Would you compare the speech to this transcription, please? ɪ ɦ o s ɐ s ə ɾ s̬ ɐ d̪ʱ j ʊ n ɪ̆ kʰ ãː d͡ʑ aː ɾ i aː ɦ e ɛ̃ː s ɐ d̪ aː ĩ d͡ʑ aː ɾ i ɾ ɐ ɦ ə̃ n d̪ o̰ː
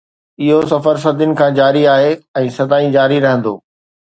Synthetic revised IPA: ɪ ɦ o s ɐ f ə ɾ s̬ ɐ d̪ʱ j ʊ n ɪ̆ kʰ ãː d͡ʑ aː ɾ i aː ɦ e ɛ̃ː s ɐ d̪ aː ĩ d͡ʑ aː ɾ i ɾ ɐ ɦ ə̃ n d̪ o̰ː